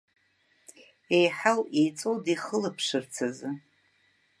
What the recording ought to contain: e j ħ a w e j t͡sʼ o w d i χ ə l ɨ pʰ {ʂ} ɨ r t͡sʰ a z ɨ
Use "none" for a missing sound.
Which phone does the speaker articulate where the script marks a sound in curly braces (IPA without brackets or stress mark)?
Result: ʂ